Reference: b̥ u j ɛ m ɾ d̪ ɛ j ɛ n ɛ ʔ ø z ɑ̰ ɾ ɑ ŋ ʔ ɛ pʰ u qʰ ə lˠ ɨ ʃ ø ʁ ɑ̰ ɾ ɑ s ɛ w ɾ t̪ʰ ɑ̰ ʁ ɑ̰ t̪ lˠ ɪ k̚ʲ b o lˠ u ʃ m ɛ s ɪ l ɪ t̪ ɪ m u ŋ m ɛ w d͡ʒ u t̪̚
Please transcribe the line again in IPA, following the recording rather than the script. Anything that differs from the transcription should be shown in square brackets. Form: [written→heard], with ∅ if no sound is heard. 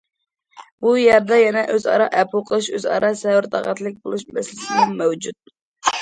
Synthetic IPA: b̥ u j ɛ [m→∅] ɾ d̪ ɛ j ɛ n ɛ ʔ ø z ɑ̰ ɾ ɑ [ŋ→∅] ʔ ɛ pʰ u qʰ ə lˠ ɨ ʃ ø [ʁ→z] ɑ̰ ɾ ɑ s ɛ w ɾ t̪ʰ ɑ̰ ʁ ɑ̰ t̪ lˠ ɪ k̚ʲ b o lˠ u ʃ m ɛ s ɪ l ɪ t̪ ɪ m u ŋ m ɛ w d͡ʒ u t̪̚